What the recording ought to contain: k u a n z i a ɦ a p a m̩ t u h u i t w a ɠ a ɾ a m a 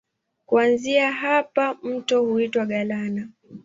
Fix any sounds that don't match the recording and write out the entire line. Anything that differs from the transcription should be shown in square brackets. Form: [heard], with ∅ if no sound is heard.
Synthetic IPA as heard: k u a n z i a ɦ a p a m̩ t [ɔ] h u i t w a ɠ a [l] a [n] a